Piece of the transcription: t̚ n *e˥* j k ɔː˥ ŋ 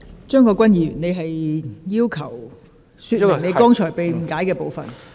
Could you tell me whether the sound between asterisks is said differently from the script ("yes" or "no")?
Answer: yes